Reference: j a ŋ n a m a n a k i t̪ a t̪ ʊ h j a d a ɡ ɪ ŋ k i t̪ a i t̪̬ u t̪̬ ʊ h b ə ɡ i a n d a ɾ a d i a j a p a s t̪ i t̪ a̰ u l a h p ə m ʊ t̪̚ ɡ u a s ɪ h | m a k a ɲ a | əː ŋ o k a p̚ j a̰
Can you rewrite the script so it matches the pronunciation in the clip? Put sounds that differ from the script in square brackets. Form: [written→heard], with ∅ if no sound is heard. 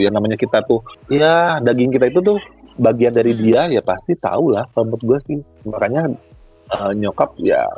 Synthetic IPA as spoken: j a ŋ n a m a [n→ɲ] a k i t̪ a t̪ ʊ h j a d a ɡ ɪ ŋ k i t̪ a i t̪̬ u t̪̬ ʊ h b [ə→a] ɡ i a n d a ɾ [a→i] d i a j a p a s t̪ i t̪ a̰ u l a h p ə m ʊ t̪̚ ɡ u a s ɪ h | m a k a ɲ a | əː [ŋ→ɲ] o k a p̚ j a̰